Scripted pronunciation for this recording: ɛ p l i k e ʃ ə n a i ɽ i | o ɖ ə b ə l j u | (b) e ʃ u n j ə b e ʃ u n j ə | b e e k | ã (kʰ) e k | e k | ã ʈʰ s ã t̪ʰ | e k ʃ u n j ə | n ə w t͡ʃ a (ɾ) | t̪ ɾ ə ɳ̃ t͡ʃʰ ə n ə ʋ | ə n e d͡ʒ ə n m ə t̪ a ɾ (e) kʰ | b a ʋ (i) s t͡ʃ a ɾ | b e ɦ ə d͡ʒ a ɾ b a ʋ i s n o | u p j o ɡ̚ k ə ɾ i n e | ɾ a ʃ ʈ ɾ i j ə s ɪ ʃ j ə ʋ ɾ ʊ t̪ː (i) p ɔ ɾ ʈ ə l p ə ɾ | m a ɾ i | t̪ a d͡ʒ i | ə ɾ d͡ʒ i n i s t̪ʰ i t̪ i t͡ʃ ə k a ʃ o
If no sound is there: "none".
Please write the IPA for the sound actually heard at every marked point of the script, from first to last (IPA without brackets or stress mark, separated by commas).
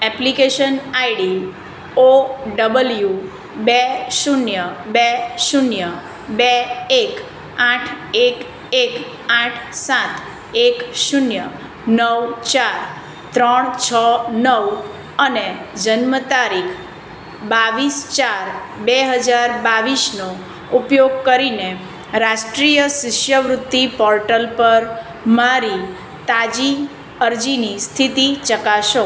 b, ʈʰ, ɾ, i, i, i